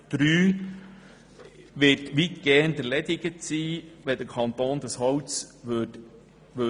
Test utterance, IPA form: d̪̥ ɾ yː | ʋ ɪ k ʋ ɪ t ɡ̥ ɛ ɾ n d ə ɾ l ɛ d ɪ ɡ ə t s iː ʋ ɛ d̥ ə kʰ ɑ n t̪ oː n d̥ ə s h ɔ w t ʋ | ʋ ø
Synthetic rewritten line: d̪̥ ɾ yː | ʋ ɪ t ʋ i t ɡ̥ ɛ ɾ n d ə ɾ l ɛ d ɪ ɡ ə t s iː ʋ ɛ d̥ ə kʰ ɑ n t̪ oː n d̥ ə s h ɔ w t͡s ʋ | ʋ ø